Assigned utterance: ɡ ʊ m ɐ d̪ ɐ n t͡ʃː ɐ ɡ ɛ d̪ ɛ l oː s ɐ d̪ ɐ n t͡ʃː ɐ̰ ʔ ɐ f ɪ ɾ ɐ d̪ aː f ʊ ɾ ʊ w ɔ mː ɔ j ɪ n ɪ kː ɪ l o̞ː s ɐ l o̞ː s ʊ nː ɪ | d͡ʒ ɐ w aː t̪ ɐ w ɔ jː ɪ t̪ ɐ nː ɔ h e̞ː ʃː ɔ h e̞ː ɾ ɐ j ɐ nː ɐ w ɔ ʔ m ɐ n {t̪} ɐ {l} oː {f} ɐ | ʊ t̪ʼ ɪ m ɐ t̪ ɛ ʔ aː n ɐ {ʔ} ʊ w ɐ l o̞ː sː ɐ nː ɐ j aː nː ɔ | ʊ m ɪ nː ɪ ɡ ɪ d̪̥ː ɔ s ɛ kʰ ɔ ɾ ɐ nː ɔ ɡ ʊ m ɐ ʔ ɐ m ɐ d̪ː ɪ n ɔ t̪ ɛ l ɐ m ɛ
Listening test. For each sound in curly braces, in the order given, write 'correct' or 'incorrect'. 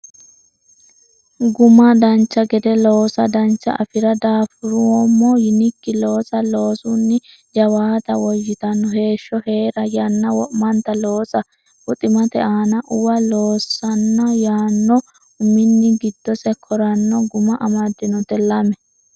correct, correct, incorrect: s, correct

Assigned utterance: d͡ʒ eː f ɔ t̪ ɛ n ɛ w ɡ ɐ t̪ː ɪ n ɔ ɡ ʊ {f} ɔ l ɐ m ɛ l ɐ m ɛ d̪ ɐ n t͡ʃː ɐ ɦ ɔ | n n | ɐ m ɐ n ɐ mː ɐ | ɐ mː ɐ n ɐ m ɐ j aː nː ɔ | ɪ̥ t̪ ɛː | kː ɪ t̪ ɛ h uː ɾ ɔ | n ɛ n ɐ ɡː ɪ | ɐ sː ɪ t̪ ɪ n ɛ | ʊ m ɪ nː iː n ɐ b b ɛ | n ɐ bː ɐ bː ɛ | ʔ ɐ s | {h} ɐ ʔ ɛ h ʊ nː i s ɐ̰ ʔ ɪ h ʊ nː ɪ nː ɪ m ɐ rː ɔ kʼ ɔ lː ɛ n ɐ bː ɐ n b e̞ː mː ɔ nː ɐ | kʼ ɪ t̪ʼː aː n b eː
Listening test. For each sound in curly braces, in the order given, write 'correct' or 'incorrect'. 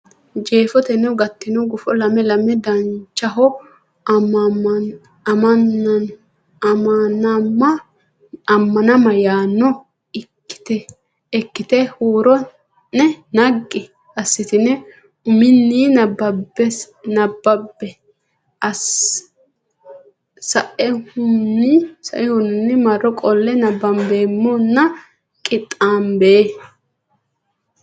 correct, incorrect: s

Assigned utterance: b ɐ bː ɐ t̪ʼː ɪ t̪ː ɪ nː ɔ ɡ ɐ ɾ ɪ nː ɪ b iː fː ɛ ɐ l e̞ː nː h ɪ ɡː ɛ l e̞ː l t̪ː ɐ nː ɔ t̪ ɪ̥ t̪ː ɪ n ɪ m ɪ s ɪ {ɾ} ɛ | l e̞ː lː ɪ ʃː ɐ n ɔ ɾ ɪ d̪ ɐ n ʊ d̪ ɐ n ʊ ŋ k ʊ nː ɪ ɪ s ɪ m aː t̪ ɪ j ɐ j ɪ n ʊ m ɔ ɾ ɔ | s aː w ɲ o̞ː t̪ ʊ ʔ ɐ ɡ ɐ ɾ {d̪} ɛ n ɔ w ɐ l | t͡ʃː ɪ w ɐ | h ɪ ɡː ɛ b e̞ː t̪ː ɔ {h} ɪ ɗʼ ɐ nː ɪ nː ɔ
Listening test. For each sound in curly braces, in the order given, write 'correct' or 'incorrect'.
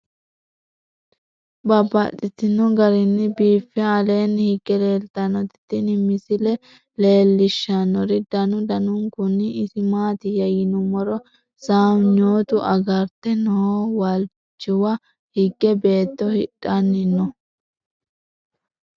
incorrect: l, incorrect: t̪, correct

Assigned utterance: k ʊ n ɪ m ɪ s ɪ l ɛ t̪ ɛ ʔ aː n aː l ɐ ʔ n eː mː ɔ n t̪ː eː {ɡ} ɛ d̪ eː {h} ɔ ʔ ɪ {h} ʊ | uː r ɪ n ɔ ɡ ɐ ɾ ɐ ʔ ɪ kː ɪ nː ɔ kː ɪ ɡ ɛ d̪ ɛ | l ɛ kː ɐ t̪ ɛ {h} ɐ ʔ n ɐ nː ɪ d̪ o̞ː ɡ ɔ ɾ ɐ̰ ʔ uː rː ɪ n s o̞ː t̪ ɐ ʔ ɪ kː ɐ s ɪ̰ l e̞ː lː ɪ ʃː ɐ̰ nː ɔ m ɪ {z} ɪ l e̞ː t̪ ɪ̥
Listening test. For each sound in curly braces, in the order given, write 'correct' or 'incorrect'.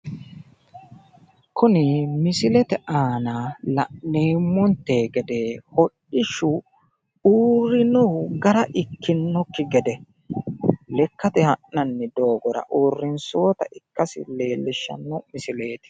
correct, correct, incorrect: ʃ, correct, incorrect: s

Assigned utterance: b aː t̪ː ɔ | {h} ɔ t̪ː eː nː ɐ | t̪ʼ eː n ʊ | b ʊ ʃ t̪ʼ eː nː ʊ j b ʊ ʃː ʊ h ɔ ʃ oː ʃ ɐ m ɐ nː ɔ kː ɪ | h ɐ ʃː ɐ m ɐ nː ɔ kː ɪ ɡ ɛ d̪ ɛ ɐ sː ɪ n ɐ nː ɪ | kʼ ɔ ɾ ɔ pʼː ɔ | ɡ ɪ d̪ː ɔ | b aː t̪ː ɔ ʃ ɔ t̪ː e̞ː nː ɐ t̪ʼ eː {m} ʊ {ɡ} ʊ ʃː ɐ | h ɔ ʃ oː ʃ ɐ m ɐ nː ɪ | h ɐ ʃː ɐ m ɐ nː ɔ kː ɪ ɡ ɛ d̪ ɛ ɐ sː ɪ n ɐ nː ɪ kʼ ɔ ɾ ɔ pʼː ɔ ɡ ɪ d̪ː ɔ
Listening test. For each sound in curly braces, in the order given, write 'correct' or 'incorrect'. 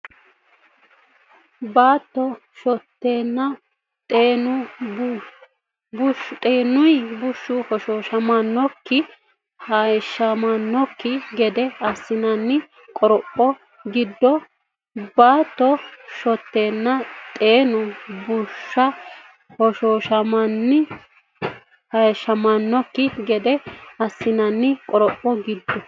incorrect: ʃ, incorrect: n, incorrect: b

